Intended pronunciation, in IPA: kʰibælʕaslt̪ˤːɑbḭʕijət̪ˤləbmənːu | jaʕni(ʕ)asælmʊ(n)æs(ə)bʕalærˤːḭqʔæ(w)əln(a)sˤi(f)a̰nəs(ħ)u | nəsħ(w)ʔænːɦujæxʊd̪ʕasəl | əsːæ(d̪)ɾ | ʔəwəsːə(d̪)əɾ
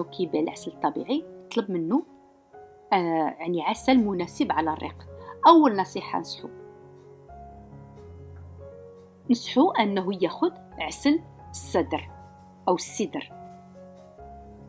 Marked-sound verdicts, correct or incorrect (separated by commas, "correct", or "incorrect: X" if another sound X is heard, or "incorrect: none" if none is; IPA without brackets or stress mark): correct, correct, correct, incorrect: wː, incorrect: ɑ, incorrect: ħ, correct, incorrect: u, correct, correct